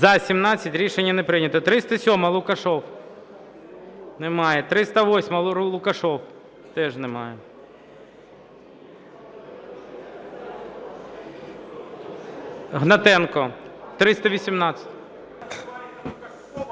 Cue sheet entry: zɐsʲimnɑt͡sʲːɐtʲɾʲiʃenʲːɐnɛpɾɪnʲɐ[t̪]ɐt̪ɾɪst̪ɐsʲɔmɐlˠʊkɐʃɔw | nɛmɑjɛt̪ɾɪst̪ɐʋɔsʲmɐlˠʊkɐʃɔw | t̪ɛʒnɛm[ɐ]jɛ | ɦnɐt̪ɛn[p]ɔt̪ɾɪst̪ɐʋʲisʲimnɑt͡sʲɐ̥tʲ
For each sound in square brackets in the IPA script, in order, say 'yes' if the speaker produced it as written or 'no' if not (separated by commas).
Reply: yes, no, no